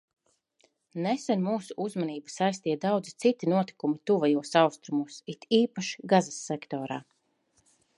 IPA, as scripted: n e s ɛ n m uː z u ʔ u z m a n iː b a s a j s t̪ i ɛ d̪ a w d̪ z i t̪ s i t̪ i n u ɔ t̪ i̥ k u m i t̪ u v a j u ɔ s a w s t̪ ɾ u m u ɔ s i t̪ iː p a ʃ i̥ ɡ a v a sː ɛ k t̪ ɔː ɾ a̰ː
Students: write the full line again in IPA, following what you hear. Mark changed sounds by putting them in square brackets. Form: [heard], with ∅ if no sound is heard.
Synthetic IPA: n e s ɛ n m uː [s] u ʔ u z m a n iː b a s a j s t̪ i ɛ d̪ a w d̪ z i t̪ s i t̪ i n u ɔ t̪ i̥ k u m i t̪ u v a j u ɔ s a w s t̪ ɾ u m u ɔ s i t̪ iː p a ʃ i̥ ɡ a [z] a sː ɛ k t̪ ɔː ɾ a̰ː

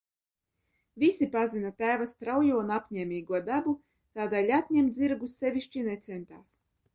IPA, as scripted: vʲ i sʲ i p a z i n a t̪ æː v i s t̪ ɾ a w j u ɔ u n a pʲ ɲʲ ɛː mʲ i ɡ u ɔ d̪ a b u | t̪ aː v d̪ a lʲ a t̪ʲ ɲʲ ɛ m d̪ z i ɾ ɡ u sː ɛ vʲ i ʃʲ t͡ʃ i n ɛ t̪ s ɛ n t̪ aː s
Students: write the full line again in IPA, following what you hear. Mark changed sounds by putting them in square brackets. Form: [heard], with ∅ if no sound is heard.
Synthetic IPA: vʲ i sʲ i p a z i n a t̪ æː v [a] s t̪ ɾ a w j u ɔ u n a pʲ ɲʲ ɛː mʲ [iː] ɡ u ɔ d̪ a b u | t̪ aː [∅] d̪ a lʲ a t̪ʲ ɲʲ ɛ m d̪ z i ɾ ɡ u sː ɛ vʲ i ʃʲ t͡ʃ i n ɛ t̪ s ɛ n t̪ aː s

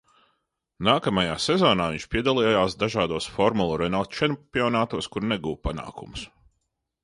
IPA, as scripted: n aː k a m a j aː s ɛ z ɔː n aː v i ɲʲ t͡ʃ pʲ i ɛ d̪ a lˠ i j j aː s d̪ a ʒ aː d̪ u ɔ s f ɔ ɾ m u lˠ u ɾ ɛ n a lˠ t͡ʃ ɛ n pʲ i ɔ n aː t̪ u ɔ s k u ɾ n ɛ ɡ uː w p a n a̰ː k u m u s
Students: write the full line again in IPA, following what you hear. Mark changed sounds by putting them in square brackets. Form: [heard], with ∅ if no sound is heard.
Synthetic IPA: n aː k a m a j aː s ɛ z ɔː n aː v i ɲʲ t͡ʃ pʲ i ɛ d̪ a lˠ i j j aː s d̪ a ʒ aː d̪ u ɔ s f ɔ ɾ m u lˠ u ɾ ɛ n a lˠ t͡ʃ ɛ n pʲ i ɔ n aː t̪ u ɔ s k u ɾ n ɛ ɡ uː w p a n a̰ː k u m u s

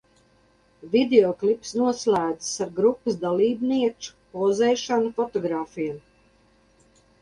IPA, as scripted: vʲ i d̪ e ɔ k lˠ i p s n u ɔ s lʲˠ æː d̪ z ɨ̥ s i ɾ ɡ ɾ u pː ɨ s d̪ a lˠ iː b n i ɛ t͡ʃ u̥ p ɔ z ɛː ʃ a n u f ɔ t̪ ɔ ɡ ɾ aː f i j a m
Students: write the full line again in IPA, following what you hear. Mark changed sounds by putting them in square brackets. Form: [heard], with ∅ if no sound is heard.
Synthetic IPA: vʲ i d̪ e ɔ k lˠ i p s n u ɔ s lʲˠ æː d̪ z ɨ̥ s [a] ɾ ɡ ɾ u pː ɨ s d̪ a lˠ iː b n i ɛ t͡ʃ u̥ p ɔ z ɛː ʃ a n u f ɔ t̪ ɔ ɡ ɾ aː f i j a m

